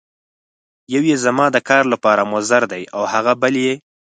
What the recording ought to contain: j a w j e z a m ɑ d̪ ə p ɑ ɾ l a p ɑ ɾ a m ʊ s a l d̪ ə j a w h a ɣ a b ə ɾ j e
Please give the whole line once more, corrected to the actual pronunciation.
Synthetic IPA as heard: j a w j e z a m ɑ d̪ ə k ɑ ɾ l a p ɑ ɾ a m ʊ z a ɾ d̪ a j a w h a ɣ a b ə l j e